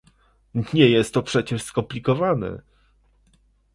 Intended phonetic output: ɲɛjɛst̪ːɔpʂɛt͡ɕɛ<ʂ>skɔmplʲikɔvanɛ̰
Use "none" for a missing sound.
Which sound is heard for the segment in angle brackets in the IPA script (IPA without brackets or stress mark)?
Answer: ʂ